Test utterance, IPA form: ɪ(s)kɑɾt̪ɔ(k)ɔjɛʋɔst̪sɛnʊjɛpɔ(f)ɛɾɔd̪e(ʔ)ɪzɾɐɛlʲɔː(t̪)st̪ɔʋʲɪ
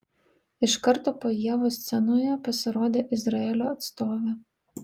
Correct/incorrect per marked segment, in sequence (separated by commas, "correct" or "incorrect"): incorrect, incorrect, incorrect, correct, correct